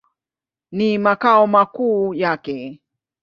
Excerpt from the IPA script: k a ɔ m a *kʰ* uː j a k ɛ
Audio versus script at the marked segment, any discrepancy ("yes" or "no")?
yes